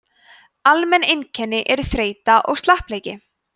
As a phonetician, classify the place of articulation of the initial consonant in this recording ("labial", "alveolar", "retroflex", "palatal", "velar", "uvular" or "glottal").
alveolar